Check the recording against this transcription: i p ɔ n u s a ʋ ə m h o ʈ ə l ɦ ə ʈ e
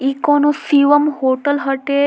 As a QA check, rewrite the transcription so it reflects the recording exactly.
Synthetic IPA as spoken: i k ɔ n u s i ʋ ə m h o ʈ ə l ɦ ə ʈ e